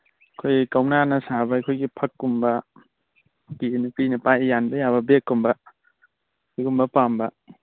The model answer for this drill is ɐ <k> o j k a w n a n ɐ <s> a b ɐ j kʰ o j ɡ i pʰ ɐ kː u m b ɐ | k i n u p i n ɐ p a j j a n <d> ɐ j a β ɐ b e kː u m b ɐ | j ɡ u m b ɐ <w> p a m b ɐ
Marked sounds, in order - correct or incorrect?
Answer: incorrect, correct, incorrect, incorrect

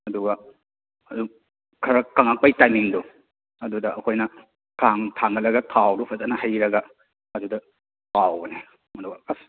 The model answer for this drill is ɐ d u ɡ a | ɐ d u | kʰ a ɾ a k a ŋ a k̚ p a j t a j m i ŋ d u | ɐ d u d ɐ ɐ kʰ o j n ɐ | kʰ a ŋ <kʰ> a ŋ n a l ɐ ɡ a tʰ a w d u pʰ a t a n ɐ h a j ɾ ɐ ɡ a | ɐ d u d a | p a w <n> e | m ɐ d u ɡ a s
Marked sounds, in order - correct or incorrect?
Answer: incorrect, correct

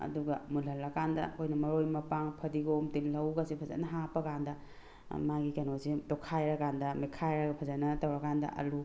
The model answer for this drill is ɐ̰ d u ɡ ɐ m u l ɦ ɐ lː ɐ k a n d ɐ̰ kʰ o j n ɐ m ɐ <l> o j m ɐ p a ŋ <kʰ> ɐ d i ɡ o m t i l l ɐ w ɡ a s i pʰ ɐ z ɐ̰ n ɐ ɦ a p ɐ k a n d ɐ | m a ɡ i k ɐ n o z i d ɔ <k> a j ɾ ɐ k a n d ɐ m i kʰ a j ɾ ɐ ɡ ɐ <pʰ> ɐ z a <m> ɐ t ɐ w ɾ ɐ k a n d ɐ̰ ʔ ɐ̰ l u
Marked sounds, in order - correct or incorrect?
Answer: incorrect, incorrect, incorrect, correct, incorrect

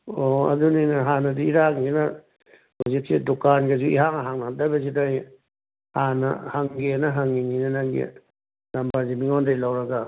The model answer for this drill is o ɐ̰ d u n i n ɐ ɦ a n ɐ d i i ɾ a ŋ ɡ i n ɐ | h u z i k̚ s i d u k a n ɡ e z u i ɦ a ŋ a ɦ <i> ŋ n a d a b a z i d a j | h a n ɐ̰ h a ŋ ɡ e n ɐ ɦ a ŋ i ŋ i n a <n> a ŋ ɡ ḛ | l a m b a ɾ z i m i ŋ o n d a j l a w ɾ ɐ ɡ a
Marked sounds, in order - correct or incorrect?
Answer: incorrect, correct

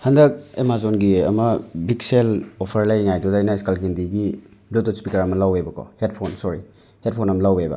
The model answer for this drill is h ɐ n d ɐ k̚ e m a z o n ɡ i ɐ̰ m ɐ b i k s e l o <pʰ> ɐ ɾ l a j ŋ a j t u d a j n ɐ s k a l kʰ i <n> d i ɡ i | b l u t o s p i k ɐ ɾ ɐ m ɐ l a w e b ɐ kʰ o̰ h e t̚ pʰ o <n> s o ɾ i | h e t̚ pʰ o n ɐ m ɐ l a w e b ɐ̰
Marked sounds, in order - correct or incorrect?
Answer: correct, correct, correct

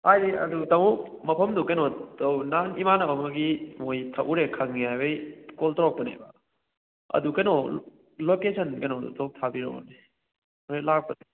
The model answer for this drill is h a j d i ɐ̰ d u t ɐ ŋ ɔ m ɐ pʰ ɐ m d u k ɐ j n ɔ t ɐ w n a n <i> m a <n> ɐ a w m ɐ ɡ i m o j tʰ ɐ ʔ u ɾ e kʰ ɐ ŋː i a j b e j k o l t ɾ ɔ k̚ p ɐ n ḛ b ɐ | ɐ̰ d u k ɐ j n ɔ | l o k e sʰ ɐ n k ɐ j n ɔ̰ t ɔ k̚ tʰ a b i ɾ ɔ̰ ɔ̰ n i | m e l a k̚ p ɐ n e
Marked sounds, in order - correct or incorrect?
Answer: correct, correct

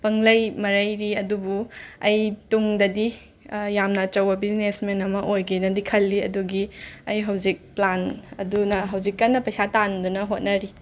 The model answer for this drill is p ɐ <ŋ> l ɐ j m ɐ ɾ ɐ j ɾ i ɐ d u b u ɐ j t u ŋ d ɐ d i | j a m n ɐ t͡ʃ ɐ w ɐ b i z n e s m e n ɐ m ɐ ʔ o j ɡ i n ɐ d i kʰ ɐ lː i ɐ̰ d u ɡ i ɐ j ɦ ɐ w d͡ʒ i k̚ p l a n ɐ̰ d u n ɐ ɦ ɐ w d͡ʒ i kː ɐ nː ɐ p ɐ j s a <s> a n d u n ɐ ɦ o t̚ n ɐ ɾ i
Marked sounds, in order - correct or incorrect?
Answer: correct, incorrect

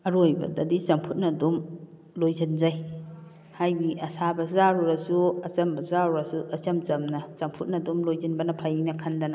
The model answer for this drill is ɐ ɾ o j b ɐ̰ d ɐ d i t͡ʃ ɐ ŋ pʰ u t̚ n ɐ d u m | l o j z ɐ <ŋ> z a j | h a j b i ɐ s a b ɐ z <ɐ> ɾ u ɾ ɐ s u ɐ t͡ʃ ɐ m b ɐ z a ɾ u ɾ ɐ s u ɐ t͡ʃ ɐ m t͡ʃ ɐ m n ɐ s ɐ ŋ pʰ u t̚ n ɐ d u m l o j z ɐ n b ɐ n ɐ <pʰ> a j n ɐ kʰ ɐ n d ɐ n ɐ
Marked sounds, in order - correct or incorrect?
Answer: incorrect, incorrect, correct

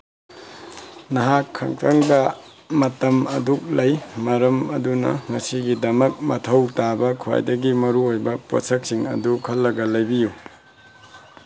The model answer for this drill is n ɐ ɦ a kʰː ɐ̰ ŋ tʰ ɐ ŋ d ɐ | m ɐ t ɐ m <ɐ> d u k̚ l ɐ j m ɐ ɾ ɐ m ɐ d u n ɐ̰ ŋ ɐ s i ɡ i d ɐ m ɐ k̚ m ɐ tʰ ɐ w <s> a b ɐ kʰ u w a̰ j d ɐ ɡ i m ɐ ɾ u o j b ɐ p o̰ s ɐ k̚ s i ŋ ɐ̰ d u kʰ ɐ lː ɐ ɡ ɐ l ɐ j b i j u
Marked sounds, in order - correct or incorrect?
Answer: correct, incorrect

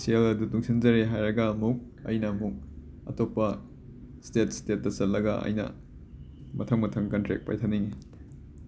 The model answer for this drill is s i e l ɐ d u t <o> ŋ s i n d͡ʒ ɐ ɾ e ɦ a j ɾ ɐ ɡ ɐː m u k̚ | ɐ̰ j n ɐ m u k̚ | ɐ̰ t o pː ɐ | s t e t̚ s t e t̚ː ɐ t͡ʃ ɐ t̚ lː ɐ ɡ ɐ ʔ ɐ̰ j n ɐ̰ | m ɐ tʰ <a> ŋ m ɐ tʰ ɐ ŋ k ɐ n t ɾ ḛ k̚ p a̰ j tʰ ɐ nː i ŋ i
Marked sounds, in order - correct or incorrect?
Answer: incorrect, incorrect

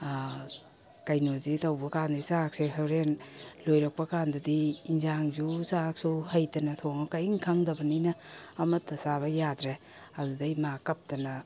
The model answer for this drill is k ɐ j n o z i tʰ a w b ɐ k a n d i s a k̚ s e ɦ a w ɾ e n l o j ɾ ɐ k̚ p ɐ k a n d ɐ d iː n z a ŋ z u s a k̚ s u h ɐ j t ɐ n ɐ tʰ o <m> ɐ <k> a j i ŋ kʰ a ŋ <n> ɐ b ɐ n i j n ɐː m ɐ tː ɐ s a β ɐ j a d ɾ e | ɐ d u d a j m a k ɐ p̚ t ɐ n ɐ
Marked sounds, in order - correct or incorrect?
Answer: incorrect, correct, incorrect

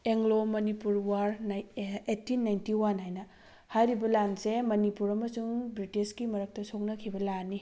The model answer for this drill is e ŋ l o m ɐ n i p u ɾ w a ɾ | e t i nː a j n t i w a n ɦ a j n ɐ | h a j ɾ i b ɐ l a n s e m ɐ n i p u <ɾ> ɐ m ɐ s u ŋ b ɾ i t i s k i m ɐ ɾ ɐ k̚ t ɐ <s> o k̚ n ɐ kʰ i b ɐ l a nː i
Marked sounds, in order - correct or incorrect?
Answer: correct, correct

